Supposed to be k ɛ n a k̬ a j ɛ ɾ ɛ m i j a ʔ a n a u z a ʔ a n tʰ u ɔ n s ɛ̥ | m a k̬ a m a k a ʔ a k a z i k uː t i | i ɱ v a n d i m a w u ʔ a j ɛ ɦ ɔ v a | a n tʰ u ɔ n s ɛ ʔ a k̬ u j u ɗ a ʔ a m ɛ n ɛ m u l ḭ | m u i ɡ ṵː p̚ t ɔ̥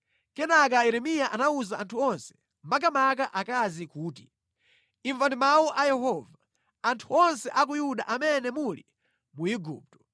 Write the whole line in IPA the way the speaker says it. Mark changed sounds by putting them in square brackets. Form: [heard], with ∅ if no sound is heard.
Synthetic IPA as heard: k ɛ n a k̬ a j ɛ ɾ ɛ m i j a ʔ a n a u z a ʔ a n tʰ u ɔ n s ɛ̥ | m a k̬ a m a k a ʔ a k a z i k uː t i | i ɱ v a n d i m a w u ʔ a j ɛ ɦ ɔ v a | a n tʰ u ɔ n s ɛ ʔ a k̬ u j u ɗ a ʔ a m ɛ n ɛ m u l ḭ | m u i ɡ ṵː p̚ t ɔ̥